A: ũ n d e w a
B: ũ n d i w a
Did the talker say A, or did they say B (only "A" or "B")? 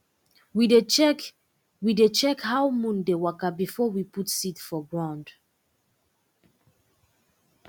A